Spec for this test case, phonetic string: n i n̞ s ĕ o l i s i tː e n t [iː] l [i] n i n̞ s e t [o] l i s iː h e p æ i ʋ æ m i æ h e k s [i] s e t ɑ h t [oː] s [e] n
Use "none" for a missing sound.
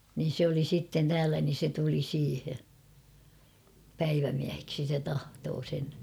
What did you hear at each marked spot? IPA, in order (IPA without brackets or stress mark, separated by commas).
æː, æ, u, i, oː, e